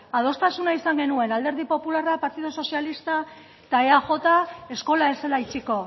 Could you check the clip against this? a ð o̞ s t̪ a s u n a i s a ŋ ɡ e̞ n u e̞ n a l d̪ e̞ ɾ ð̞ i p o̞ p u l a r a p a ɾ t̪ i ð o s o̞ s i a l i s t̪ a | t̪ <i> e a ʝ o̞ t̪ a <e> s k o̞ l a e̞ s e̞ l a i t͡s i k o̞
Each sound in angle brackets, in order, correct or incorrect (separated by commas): incorrect, correct